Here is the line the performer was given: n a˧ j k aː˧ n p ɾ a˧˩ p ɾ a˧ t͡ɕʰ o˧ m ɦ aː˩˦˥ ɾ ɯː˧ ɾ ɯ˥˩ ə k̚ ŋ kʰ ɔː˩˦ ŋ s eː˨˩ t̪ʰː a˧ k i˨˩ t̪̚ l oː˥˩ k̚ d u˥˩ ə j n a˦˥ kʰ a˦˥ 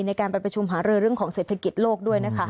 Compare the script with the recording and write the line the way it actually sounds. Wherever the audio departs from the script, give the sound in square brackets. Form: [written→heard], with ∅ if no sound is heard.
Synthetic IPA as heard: n a˧ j k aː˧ n p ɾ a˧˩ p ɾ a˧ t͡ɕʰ [o˧→u˧] m ɦ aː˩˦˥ ɾ ɯː˧ ɾ ɯ˥˩ ə [k̚→∅] ŋ kʰ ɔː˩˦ ŋ s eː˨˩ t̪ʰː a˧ k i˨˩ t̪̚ l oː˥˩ k̚ d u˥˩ ə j n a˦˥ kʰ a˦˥